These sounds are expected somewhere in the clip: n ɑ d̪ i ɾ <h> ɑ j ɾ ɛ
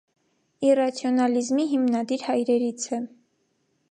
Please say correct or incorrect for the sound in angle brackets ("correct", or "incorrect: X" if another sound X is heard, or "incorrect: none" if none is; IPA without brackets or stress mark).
correct